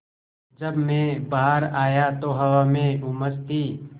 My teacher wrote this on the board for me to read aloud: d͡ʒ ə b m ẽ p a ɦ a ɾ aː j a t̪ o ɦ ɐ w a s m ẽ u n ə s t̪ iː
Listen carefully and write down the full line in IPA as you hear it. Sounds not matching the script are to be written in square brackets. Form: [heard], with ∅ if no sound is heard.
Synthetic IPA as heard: d͡ʒ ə b m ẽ [b] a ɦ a ɾ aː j a t̪ o ɦ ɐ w a [∅] m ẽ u [m] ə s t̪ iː